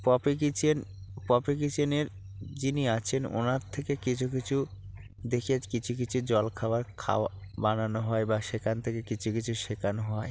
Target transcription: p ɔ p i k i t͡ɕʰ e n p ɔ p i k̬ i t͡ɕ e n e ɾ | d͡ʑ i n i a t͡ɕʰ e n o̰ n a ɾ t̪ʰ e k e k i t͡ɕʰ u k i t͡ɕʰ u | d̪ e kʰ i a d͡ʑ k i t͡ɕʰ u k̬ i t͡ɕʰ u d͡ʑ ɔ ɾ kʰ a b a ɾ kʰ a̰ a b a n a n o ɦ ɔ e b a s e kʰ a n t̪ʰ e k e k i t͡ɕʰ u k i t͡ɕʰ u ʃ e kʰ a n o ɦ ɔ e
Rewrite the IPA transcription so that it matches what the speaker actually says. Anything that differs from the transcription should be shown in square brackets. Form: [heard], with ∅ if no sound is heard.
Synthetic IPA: p ɔ p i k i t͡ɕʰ e n p ɔ p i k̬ i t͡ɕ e n e ɾ | d͡ʑ i n i a t͡ɕʰ e n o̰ n a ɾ t̪ʰ e k e k i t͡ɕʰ u k i t͡ɕʰ u | d̪ e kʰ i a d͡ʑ k i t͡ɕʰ u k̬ i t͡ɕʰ u d͡ʑ ɔ [l] kʰ a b a ɾ kʰ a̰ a b a n a n o ɦ ɔ e b a [ʃ] e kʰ a n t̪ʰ e k e k i t͡ɕʰ u k i t͡ɕʰ u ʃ e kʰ a n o ɦ ɔ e